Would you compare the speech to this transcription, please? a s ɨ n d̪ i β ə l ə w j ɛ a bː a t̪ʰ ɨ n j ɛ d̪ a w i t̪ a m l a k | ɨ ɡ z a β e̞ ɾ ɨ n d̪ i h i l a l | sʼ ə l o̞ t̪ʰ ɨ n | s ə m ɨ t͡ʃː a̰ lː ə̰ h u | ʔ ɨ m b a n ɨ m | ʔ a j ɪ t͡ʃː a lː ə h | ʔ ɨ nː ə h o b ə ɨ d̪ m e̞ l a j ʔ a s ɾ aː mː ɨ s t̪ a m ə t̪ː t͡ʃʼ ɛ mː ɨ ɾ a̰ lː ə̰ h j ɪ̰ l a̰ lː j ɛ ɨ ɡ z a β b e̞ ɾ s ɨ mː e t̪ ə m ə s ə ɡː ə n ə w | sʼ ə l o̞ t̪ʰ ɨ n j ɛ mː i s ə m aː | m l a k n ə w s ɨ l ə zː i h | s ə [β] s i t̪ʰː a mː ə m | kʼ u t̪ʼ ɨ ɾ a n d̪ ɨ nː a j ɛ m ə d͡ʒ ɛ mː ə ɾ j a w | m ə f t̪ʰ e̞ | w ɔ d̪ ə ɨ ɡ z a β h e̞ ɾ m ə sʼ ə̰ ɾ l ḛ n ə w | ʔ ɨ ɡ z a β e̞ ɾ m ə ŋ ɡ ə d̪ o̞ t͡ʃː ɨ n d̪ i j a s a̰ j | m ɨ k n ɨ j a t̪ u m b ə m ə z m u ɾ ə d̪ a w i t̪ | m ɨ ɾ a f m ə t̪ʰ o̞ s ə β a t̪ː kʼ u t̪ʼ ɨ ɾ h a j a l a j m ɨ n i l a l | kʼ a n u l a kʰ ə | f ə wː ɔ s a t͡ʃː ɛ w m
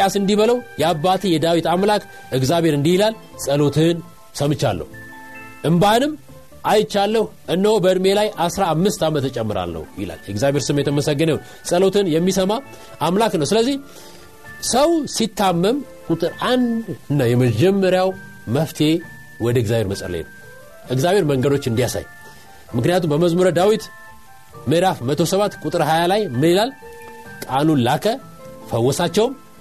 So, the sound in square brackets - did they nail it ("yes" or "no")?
no